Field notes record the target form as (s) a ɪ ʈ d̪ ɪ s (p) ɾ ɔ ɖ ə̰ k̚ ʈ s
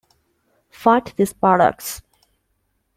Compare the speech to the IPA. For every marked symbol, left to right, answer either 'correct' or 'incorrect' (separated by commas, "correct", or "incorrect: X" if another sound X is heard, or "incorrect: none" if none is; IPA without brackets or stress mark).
incorrect: f, correct